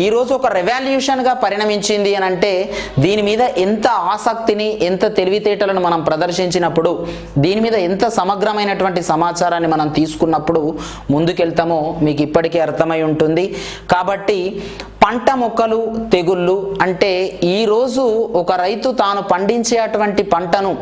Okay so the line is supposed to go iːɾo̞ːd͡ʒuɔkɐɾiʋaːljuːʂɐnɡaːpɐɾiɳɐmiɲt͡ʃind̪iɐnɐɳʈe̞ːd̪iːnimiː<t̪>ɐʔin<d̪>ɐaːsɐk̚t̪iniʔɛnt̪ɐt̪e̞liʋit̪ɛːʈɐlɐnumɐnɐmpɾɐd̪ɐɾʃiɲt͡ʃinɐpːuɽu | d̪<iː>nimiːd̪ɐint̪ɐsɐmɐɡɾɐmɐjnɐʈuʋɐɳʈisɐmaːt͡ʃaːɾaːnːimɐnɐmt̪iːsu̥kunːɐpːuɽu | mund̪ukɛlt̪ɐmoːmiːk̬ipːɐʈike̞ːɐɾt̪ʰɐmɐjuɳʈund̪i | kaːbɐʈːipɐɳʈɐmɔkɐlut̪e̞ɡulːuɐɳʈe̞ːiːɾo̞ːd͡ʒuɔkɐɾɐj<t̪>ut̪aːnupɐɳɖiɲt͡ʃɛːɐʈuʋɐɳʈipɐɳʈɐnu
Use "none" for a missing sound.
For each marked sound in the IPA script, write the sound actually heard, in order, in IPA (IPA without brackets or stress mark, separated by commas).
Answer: d̪, t̪, iː, t̪